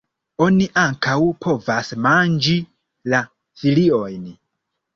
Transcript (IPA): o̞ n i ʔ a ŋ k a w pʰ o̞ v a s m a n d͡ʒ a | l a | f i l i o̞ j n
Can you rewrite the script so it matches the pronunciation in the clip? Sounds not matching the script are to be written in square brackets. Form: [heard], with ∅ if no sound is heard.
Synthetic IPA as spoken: o̞ n i ʔ a ŋ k a w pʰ o̞ v a s m a n d͡ʒ [i] | l a | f i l i o̞ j n